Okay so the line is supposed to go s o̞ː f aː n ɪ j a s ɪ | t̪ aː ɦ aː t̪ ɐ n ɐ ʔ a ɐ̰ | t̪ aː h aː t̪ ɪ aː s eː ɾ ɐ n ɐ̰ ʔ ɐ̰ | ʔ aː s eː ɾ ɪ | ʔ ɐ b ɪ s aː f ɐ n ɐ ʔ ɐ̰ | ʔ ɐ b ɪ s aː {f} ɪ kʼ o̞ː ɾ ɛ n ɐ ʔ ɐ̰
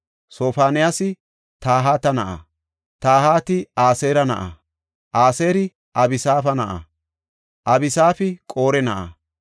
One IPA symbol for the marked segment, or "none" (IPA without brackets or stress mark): f